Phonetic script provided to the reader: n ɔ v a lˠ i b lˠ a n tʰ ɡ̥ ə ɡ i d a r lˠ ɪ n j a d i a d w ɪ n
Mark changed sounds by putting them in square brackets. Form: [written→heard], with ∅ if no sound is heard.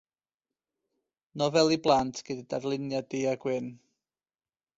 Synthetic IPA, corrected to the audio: n ɔ v [a→ɛ] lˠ i b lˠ a n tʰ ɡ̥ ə [ɡ→d] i d a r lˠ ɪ n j a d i a [d→ɡ] w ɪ n